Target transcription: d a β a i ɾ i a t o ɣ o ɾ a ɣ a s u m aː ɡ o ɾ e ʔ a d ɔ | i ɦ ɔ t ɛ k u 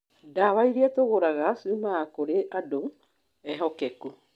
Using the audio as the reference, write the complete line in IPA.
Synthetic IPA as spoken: d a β a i ɾ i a t o ɣ o ɾ a ɣ a s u m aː k o ɾ e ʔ a d o | ɛ ɦ ɔ k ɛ k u